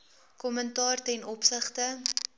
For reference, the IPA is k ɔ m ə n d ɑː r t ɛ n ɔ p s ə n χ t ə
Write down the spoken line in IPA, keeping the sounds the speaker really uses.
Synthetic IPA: k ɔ m ə n t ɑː r t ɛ n ɔ p s ə χ t ə